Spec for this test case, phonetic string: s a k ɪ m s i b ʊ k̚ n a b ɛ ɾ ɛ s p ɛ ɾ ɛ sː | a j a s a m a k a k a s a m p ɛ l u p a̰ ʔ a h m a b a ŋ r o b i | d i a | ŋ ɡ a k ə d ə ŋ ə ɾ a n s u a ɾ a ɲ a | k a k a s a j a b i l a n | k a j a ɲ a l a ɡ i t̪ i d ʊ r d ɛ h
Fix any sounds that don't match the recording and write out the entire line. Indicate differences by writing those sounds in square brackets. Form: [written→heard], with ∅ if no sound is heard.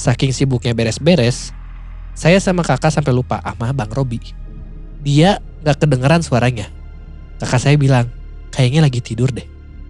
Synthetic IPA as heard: s a k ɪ [m→ŋ] s i b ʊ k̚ [n→ɲ] a b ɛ ɾ ɛ s [p→b] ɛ ɾ ɛ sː | a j a s a m a k a k a s a m p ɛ l u p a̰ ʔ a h m a b a ŋ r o b i | d i a | ŋ ɡ a k ə d ə ŋ ə ɾ a n s u a ɾ a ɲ a | k a k a s a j a b i l a [n→ŋ] | k a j a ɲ a l a ɡ i t̪ i d ʊ r d ɛ h